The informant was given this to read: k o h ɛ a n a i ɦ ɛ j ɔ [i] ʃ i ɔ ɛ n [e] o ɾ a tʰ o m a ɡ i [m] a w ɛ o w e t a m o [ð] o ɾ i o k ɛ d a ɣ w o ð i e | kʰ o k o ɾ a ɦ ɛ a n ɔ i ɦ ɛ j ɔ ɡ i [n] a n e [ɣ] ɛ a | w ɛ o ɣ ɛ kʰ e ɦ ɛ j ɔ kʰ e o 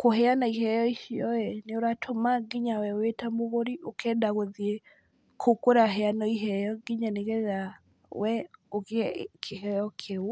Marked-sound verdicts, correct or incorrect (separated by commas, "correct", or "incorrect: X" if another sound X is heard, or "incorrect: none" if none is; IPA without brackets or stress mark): correct, correct, incorrect: ɲ, incorrect: ɣ, incorrect: ɲ, correct